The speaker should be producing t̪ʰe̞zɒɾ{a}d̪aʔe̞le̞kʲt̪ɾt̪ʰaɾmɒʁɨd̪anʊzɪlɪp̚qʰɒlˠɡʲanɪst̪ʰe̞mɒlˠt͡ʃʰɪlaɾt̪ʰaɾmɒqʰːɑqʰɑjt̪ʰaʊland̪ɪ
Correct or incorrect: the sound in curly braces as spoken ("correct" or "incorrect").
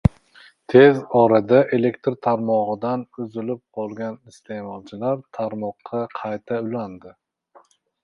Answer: correct